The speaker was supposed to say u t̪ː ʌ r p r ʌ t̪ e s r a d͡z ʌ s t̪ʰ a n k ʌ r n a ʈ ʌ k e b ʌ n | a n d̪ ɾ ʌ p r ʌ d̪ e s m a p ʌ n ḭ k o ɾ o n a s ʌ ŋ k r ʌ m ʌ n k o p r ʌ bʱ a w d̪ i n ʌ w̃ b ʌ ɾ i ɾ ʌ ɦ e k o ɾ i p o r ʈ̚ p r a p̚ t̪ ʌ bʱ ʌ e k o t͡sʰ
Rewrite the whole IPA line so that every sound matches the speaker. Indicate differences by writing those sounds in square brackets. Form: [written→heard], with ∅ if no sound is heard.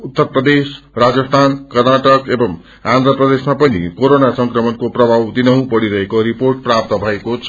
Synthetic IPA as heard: u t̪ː ʌ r p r ʌ [t̪→d̪] e s r a d͡z ʌ s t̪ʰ a n k ʌ r n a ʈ ʌ k e b ʌ [n→m] | a n d̪ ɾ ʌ p r ʌ d̪ e s m a p ʌ n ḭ k o ɾ o n a s ʌ ŋ k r ʌ m ʌ n k o p r ʌ bʱ a w d̪ i n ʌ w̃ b ʌ [ɾ→ɽ] i ɾ ʌ ɦ e k o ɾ i p o r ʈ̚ p r a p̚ t̪ ʌ bʱ ʌ e k o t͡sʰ